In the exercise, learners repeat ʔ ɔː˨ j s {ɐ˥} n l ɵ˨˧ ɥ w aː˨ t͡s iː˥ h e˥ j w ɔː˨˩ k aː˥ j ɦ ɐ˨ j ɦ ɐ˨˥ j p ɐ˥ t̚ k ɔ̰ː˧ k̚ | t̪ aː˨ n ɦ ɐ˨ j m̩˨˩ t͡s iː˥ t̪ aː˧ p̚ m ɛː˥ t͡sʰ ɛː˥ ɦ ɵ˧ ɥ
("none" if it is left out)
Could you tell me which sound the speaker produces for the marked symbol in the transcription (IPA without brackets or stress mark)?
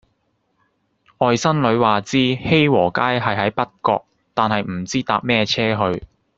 ɐ˥